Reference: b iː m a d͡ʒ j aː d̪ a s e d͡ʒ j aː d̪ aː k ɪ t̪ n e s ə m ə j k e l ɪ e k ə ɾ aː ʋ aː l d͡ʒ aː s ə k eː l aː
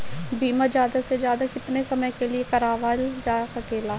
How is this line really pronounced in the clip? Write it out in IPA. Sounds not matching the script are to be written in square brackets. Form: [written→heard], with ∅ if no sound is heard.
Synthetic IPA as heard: b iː m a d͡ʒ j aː d̪ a s e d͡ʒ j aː d̪ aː k ɪ t̪ n e s ə m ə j k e l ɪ e k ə ɾ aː ʋ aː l d͡ʒ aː s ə k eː l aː